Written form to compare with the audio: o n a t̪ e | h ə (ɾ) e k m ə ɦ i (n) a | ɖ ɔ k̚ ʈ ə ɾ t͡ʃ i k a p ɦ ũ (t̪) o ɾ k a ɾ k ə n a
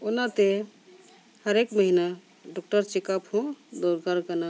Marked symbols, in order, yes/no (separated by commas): yes, yes, no